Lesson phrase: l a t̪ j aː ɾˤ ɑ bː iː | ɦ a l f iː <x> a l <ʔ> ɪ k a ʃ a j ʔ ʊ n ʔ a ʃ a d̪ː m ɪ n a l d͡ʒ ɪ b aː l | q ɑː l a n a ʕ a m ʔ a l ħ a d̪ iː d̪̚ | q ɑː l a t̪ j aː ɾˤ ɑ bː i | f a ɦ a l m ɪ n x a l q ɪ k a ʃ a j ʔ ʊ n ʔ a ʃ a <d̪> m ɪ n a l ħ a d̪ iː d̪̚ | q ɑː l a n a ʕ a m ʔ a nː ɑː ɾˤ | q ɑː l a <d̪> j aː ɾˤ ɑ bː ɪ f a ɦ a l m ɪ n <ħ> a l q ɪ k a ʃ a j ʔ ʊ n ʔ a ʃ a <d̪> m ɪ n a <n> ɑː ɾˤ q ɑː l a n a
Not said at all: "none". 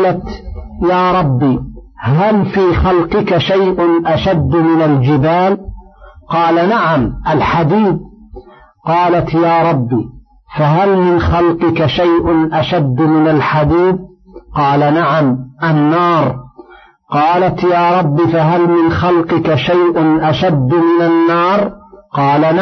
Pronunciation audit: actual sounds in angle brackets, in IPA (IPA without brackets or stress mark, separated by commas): x, q, d̪ː, t̪, x, d̪ː, nː